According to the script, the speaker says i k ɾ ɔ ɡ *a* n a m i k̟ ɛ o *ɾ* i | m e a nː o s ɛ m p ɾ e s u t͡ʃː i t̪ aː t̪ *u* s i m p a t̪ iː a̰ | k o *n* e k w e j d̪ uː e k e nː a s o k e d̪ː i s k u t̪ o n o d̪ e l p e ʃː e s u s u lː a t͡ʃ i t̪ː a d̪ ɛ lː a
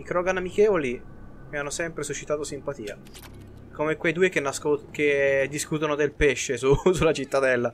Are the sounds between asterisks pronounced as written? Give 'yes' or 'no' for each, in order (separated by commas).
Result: yes, no, no, no